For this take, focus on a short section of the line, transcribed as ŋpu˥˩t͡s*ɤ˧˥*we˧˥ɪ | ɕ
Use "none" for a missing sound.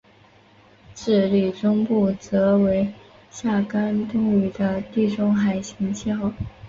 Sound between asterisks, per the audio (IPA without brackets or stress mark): ɤ˧˥